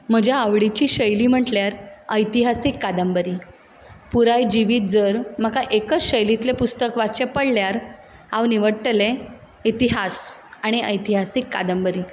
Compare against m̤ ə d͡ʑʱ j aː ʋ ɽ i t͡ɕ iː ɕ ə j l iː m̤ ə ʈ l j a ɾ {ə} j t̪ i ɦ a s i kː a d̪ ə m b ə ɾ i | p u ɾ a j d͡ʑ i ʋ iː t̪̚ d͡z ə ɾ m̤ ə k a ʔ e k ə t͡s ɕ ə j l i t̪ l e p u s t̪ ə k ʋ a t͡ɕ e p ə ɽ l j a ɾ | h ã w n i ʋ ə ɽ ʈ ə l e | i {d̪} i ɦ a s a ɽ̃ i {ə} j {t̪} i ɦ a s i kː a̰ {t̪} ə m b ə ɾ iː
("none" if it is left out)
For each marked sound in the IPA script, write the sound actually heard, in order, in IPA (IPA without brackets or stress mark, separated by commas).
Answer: ə, t̪, ə, t̪, d̪